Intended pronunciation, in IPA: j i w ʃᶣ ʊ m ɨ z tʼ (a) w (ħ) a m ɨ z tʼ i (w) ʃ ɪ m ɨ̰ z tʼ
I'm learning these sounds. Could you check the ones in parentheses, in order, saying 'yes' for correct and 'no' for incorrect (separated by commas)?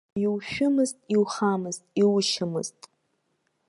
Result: no, no, yes